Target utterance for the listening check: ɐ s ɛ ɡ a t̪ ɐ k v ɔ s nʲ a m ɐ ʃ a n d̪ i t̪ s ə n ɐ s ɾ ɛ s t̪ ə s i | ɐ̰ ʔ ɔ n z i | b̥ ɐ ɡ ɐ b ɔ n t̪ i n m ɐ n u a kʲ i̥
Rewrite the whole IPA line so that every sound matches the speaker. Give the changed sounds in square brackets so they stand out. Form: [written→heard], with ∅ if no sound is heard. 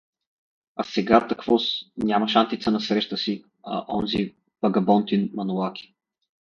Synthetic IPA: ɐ s ɛ ɡ a t̪ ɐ k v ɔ s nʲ a m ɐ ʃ a n [d̪→t̪] i t̪ s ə n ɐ s ɾ ɛ [s→ʃ] t̪ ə s i | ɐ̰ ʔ ɔ n z i | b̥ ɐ ɡ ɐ b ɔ n t̪ i n m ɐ n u a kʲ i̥